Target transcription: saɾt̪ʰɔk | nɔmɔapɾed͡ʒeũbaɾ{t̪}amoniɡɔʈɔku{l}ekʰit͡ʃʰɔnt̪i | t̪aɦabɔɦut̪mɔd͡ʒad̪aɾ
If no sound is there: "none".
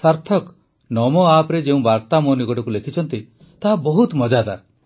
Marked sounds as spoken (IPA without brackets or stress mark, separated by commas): t̪, l